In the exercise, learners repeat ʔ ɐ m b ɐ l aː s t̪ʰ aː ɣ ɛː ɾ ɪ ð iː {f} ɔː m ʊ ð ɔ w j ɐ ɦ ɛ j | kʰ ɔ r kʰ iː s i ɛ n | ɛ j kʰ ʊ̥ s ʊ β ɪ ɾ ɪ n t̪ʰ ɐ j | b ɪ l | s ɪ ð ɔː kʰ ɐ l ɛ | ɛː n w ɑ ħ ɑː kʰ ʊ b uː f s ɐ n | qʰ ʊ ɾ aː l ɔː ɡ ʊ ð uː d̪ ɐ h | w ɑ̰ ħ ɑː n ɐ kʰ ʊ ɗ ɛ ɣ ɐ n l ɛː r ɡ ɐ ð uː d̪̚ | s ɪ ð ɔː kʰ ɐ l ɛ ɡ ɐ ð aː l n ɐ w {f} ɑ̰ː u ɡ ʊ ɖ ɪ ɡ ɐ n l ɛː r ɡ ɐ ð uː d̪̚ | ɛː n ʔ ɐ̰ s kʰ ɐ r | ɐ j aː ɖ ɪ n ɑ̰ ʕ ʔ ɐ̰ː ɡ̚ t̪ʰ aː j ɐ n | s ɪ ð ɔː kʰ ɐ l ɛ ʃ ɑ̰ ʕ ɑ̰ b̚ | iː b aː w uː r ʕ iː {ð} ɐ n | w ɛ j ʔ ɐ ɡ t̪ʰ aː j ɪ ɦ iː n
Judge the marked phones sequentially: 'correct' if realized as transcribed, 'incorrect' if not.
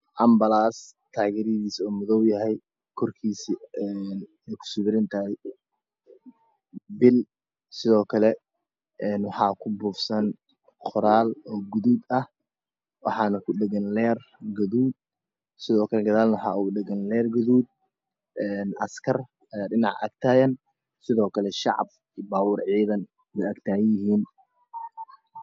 incorrect: s, incorrect: ħ, correct

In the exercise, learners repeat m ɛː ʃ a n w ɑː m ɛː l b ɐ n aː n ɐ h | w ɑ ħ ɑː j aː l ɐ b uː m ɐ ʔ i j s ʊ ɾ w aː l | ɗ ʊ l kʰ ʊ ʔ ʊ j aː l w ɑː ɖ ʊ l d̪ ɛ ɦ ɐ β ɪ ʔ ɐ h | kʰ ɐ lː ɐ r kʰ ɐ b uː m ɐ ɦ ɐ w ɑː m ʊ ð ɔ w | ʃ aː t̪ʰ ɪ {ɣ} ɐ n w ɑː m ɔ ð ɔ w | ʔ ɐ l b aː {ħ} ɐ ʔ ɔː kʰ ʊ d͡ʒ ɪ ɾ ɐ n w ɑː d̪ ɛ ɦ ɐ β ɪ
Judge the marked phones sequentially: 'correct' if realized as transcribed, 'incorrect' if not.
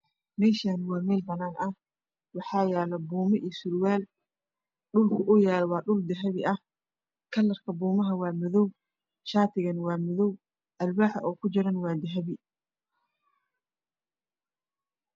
correct, correct

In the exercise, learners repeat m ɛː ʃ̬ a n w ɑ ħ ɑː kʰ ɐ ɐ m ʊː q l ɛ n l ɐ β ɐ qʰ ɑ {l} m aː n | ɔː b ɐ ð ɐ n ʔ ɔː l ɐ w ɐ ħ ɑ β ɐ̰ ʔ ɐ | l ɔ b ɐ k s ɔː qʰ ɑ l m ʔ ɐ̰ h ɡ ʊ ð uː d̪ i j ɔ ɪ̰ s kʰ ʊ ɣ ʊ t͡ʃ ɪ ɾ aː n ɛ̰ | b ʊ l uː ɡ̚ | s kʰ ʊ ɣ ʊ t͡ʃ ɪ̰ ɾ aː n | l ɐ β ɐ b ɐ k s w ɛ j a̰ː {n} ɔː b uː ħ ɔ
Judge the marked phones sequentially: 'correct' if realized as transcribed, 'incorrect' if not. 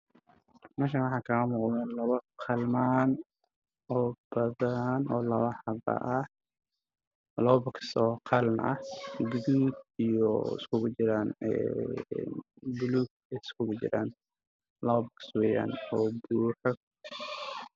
correct, correct

